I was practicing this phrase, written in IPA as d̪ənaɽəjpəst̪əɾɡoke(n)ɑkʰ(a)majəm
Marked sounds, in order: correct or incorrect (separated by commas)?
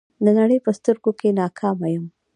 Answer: correct, incorrect